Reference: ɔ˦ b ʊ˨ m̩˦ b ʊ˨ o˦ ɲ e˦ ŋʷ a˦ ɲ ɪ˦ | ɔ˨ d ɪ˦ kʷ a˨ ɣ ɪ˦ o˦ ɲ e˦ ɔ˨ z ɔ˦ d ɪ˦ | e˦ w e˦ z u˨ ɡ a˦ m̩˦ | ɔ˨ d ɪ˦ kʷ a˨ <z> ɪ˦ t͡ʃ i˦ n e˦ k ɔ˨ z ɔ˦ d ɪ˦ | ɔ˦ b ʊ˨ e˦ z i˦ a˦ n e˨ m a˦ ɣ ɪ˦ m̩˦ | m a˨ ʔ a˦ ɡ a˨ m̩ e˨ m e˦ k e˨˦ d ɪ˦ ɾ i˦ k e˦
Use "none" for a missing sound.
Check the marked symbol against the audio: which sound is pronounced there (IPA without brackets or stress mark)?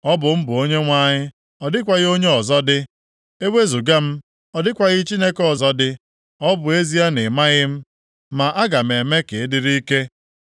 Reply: ɣ